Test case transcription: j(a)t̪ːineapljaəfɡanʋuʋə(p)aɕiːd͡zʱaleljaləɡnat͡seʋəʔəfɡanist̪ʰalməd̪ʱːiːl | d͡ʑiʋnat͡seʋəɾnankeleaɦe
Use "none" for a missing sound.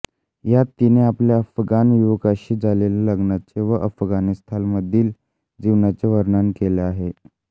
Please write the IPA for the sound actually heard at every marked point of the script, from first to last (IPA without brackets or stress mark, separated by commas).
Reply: a, k